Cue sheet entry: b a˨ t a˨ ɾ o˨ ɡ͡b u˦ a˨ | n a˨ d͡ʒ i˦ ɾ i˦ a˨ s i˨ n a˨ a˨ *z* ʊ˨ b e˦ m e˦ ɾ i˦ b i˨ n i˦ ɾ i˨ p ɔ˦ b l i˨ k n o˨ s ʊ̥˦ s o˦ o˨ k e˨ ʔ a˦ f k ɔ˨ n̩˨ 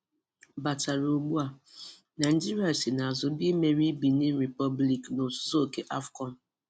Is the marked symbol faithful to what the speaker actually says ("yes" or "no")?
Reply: yes